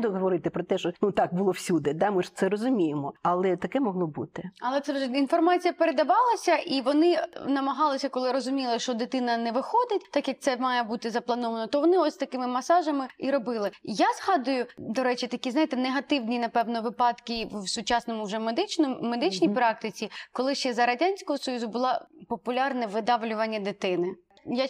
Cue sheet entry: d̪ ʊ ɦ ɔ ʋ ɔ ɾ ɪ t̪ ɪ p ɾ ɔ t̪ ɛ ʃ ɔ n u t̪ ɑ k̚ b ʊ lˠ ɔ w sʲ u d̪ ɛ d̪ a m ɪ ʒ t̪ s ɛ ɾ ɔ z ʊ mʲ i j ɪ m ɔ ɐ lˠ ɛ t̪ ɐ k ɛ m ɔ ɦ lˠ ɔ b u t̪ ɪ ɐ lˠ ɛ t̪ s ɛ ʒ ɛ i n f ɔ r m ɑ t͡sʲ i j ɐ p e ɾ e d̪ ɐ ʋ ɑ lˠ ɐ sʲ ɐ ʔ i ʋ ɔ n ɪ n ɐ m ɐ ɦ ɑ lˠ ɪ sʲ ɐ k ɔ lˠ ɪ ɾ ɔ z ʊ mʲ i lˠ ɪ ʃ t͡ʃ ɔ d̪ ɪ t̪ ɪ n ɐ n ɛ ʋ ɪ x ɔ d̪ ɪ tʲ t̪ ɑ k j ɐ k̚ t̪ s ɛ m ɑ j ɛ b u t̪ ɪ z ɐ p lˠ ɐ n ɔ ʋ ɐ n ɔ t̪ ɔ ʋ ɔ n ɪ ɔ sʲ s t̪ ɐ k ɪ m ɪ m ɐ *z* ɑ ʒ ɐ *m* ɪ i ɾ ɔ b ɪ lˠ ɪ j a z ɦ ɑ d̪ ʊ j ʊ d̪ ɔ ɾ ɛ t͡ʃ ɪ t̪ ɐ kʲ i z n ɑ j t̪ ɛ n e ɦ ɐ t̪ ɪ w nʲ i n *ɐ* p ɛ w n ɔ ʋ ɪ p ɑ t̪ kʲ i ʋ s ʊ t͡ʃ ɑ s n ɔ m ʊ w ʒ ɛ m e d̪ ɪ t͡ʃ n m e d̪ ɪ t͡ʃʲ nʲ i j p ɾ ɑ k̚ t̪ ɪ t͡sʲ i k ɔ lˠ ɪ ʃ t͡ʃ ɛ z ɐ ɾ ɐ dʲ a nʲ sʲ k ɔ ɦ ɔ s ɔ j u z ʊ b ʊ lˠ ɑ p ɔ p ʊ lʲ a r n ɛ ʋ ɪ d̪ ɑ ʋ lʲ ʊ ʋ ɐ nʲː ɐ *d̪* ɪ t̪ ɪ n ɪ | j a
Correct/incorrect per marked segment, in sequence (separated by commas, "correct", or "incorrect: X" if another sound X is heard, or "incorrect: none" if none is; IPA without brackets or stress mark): incorrect: s, correct, correct, correct